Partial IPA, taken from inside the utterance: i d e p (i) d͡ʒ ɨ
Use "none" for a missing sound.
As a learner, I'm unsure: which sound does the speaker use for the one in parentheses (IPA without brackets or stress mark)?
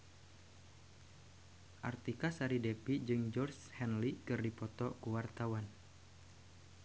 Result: i